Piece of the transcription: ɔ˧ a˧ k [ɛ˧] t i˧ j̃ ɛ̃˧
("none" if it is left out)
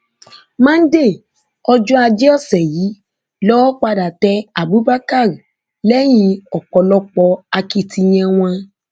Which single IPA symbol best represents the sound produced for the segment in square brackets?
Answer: i˧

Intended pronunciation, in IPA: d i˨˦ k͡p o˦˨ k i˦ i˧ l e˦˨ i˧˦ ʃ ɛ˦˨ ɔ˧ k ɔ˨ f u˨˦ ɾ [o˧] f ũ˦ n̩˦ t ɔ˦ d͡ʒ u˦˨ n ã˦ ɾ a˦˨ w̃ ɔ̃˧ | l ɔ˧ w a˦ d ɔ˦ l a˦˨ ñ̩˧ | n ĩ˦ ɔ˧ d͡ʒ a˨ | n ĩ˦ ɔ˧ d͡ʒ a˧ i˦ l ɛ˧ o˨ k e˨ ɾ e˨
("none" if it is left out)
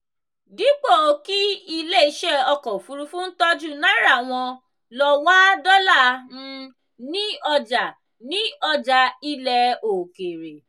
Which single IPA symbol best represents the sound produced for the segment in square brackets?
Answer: u˧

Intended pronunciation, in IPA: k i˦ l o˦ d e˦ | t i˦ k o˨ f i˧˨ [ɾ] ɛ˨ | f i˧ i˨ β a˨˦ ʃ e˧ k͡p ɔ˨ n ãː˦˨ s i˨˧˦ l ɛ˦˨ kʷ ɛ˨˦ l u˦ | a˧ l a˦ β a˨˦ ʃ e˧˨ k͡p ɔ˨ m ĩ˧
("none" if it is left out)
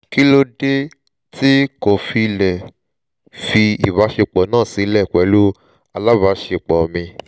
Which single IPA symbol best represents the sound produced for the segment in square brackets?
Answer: l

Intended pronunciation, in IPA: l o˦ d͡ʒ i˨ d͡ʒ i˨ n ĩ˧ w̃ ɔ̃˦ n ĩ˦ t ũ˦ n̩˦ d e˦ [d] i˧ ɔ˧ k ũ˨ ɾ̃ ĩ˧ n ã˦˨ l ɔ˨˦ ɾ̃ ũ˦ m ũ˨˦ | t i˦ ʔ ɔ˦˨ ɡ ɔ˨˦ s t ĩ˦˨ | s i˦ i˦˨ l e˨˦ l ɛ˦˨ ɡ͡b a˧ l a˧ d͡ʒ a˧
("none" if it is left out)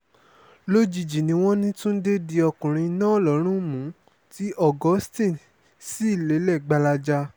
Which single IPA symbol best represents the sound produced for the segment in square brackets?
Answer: d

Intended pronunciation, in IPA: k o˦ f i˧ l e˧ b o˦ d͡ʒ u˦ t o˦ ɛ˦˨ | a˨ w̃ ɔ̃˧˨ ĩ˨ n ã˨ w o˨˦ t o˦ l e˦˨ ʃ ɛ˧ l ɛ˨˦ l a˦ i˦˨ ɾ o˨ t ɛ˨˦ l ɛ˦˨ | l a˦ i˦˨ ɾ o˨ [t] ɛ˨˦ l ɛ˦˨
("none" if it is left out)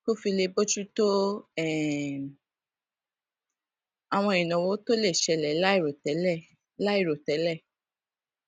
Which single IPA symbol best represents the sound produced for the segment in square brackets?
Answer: t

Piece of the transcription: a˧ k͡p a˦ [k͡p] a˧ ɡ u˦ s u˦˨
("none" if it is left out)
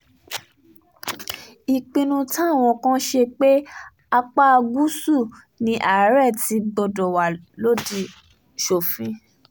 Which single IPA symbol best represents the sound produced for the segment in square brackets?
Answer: none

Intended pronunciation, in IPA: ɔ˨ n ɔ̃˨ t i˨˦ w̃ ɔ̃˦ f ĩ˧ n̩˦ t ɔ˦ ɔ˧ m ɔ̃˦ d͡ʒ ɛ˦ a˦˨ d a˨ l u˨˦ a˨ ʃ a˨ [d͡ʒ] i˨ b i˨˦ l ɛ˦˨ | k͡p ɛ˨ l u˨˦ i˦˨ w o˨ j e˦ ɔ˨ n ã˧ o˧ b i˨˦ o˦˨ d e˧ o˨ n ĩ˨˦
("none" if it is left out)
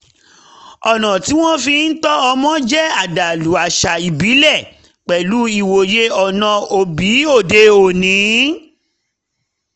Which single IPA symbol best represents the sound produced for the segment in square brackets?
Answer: none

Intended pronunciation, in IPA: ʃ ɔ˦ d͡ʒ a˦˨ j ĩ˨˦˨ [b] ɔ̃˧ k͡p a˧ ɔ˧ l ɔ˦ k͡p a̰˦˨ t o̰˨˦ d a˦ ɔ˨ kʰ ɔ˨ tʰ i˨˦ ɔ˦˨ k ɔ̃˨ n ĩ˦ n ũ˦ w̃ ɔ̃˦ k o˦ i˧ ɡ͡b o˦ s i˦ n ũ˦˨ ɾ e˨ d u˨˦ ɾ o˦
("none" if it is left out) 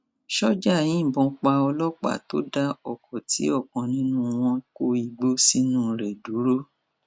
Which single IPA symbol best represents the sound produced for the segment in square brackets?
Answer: b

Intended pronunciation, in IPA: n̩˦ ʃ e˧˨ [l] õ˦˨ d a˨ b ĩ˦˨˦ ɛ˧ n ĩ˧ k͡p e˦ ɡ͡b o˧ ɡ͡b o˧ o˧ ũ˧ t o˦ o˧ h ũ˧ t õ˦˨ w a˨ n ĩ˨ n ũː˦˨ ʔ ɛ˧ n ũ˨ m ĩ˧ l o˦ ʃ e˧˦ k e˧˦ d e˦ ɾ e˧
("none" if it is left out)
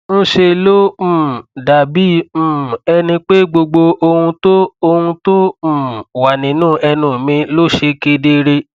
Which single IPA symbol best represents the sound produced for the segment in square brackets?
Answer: l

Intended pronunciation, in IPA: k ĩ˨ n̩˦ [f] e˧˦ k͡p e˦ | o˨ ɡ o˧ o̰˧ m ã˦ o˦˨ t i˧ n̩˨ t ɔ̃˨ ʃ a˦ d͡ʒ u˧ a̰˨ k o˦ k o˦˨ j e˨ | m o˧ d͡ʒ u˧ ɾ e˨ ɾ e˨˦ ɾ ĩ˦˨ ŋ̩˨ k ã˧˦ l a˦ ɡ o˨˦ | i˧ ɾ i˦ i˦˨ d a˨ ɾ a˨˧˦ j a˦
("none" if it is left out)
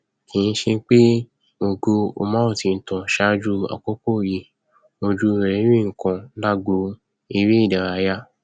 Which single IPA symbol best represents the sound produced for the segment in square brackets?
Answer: ʃ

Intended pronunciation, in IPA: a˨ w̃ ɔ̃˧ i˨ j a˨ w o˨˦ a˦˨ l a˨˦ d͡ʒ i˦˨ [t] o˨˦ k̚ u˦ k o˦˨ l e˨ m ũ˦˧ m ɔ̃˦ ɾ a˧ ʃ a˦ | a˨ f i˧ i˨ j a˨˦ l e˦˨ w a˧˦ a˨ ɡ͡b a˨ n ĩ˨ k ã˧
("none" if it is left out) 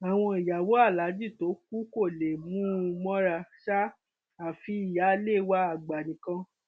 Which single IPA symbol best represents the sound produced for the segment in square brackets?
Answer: t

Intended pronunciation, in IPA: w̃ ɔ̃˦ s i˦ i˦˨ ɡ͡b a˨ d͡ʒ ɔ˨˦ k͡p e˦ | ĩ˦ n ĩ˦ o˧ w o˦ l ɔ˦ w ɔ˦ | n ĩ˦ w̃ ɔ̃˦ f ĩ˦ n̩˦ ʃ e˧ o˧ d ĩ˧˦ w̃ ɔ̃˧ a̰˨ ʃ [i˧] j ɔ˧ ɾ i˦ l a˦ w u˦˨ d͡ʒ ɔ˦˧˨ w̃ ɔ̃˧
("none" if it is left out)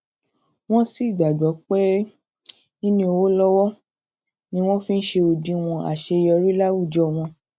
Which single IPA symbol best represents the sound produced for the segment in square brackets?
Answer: e˧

